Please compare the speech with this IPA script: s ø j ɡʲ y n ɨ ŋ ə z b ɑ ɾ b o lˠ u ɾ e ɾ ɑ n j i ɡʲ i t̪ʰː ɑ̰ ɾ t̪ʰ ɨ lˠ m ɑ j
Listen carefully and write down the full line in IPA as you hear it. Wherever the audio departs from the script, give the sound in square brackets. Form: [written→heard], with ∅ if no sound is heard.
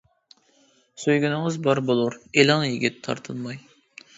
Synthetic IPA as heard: s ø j ɡʲ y n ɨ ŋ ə z b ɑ ɾ b o lˠ u ɾ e [ɾ→l] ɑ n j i ɡʲ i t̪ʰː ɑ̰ ɾ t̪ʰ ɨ lˠ m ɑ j